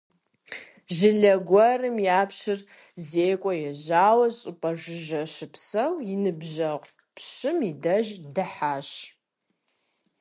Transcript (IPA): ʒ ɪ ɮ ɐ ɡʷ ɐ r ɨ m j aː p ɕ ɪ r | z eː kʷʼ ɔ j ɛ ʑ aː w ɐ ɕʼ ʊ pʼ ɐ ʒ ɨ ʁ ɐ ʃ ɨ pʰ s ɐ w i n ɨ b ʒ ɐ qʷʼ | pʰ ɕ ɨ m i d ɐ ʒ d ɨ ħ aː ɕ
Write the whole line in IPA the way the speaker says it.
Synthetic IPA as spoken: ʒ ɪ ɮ ɐ ɡʷ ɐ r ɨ m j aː p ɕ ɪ r | z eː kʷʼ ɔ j ɛ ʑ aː w ɐ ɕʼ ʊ pʼ ɐ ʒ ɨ ʒ ɐ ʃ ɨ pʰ s ɐ w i n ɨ b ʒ ɐ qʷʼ | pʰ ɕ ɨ m i d ɐ ʒ d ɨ ħ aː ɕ